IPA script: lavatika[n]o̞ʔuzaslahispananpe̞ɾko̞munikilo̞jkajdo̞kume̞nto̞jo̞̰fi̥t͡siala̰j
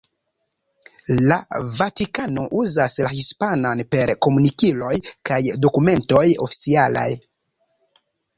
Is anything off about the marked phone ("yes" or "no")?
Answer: no